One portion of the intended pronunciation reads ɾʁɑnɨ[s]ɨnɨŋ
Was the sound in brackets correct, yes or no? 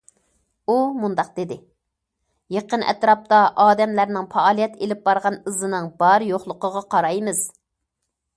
no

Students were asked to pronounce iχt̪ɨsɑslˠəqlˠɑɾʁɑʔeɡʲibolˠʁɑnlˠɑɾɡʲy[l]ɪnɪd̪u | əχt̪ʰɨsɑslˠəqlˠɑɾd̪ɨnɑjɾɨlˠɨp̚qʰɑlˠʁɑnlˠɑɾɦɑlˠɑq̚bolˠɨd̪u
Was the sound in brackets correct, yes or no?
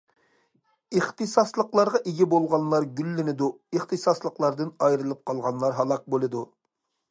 no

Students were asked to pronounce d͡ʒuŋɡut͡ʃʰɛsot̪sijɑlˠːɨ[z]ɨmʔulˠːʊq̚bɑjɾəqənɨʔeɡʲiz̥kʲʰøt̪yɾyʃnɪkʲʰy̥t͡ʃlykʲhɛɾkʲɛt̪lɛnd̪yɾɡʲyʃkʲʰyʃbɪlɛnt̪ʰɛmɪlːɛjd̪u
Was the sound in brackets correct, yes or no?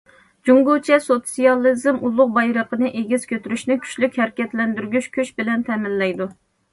yes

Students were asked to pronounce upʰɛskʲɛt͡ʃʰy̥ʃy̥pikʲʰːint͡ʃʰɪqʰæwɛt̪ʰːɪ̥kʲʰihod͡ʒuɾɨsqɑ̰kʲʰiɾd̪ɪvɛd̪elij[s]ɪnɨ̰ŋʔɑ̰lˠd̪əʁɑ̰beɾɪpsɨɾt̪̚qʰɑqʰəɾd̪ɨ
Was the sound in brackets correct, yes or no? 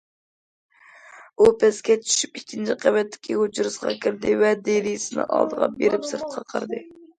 yes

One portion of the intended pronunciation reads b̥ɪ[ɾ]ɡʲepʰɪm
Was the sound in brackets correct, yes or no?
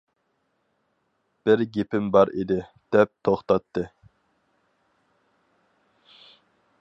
yes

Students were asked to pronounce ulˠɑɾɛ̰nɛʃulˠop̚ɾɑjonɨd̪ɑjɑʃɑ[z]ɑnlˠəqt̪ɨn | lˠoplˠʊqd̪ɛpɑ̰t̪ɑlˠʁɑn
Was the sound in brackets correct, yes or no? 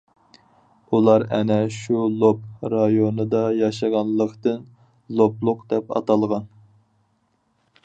no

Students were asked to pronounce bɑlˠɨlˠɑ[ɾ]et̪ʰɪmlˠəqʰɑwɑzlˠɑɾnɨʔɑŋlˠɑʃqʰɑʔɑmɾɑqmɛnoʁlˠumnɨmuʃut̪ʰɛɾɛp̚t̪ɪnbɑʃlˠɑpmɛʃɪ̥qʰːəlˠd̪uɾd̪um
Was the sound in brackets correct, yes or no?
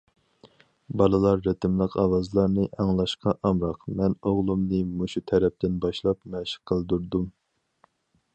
no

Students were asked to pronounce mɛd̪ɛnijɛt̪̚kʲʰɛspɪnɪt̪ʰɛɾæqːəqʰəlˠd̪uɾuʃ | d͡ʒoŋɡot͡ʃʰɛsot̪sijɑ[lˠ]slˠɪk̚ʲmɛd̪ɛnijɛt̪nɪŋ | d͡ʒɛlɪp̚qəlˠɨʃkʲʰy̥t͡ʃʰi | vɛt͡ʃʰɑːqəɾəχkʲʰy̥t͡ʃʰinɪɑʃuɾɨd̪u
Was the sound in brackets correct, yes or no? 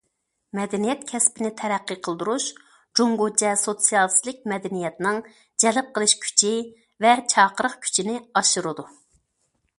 yes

